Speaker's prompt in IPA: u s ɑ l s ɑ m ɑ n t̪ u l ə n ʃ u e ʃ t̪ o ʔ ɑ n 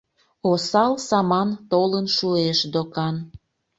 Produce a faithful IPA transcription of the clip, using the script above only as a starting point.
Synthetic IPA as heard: o s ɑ l s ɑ m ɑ n t̪ o l ə n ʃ u e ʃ d̪ o k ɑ n